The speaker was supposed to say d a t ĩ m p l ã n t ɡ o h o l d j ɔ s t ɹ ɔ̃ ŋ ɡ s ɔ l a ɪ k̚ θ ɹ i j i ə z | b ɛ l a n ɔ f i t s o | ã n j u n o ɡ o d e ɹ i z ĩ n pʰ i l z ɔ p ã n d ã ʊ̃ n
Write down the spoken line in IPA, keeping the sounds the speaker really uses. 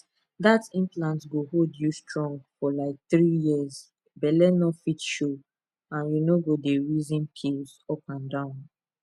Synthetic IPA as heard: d a t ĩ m p l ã n t ɡ o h o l d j u s t ɹ ɔ̃ ŋ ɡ f ɔ l a ɪ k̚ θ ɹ i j i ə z | b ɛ l ɛ n ɔ f i t ʃ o | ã n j u n o ɡ o d e ɹ i z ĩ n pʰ i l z ɔ p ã n d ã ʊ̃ n